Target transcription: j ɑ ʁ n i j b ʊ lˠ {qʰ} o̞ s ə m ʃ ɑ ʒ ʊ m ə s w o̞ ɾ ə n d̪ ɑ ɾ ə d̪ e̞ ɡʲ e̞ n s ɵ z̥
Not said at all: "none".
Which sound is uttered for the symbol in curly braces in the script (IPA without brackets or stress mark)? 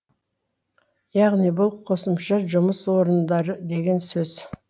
qʰ